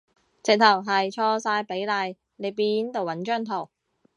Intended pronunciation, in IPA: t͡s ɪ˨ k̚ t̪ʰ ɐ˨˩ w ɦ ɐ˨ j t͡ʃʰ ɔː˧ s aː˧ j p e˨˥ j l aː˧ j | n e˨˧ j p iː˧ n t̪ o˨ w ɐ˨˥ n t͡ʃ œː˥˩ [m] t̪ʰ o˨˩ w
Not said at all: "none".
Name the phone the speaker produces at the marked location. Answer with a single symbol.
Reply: ŋ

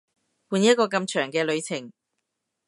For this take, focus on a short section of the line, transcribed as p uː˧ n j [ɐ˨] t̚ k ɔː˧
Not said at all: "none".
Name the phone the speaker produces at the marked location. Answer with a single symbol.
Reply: ɐ˥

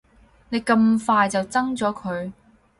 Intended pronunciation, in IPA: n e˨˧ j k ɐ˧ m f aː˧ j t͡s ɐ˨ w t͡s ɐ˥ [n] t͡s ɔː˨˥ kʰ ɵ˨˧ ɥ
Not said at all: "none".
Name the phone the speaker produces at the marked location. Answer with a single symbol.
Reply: ŋ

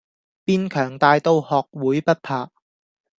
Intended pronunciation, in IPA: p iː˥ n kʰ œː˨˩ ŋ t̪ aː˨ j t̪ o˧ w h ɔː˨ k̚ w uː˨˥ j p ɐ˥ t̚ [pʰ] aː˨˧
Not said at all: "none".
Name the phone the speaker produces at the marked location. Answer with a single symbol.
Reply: pʰ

